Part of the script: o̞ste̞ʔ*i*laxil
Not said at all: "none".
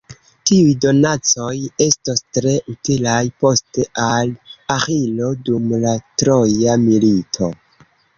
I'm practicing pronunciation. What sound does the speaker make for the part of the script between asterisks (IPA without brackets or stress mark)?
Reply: a